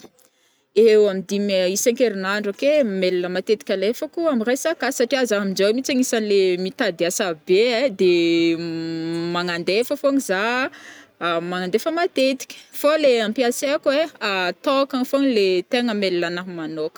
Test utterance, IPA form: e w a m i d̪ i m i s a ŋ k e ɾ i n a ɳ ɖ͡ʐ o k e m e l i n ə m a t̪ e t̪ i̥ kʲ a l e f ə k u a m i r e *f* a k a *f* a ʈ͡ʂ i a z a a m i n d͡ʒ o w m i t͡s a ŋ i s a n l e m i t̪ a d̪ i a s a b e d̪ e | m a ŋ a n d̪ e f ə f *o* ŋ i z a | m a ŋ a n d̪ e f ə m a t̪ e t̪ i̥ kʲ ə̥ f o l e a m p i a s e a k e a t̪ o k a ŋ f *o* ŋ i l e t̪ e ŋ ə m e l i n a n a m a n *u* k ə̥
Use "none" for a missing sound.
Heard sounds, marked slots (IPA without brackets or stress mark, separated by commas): s, s, o, o, o